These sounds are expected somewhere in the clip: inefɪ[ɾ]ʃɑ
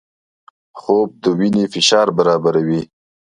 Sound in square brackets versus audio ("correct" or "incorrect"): incorrect